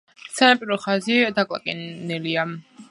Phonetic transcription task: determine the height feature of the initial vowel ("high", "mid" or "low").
low